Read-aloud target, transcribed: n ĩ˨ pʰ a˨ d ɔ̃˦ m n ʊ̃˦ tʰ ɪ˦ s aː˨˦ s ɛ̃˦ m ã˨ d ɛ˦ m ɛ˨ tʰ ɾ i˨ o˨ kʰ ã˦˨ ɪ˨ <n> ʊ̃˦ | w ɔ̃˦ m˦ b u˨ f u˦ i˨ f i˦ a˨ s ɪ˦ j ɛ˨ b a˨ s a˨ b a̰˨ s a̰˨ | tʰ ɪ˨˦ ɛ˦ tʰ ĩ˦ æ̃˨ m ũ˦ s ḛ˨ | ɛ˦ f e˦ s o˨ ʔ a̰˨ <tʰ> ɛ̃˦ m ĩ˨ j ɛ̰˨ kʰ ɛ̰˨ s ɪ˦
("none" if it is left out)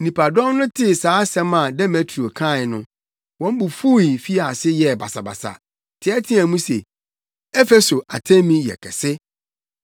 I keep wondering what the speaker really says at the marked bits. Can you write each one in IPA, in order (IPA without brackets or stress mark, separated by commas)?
n, tʰ